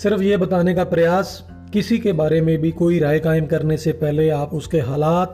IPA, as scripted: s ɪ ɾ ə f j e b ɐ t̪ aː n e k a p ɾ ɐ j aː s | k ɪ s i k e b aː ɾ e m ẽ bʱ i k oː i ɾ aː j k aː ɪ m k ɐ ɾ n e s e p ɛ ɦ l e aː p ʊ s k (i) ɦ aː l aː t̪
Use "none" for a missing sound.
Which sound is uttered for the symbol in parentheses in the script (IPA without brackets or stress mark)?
e